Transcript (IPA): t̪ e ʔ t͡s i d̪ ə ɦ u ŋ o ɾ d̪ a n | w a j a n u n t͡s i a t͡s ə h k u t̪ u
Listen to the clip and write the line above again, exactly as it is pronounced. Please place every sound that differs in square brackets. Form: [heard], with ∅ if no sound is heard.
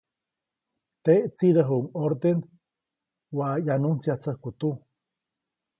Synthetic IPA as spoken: t̪ e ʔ t͡s i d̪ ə ɦ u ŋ o ɾ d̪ [e] n | w a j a n u n t͡s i a t͡s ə h k u t̪ u